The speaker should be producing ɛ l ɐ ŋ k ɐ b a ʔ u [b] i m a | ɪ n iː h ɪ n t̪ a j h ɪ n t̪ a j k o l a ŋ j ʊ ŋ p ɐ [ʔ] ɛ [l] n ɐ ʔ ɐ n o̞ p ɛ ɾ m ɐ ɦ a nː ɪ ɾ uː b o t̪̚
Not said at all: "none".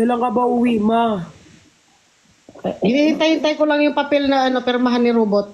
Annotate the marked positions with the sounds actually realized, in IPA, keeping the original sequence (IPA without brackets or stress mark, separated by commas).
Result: w, p, l